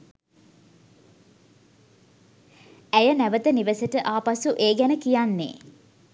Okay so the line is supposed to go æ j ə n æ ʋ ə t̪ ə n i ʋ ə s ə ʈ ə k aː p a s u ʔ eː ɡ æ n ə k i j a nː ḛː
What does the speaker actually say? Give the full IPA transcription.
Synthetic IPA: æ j ə n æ ʋ ə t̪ ə n i ʋ ə s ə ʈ ə ʔ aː p a s u ʔ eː ɡ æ n ə k i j a nː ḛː